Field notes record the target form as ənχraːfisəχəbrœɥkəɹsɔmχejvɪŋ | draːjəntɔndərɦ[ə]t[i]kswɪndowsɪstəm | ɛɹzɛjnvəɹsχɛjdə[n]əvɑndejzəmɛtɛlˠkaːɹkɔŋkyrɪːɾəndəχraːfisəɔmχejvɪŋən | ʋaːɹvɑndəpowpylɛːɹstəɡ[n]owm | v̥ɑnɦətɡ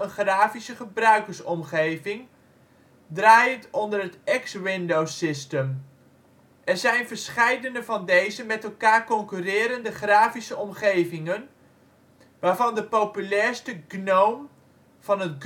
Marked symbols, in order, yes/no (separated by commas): yes, no, yes, yes